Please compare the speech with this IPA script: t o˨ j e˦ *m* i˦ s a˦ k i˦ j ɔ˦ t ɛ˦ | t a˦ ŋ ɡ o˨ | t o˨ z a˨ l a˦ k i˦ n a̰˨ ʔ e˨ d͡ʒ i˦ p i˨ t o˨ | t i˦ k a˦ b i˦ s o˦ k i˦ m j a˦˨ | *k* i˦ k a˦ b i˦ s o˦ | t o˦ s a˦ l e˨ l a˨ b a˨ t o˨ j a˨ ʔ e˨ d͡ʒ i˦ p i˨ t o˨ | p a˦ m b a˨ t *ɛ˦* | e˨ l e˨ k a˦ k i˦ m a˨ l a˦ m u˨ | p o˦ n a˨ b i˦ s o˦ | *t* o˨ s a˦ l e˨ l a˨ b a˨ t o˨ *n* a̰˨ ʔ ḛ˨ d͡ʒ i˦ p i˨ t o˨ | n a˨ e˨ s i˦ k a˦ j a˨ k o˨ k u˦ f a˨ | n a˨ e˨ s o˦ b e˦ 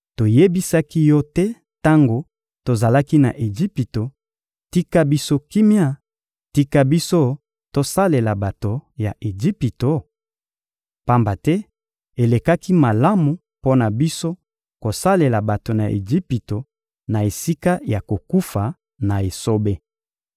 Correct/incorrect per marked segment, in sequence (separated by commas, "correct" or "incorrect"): incorrect, incorrect, correct, incorrect, correct